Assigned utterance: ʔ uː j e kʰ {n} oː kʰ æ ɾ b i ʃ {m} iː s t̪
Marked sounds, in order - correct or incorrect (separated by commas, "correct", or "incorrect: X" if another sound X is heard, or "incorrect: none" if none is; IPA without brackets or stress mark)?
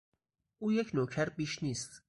correct, incorrect: n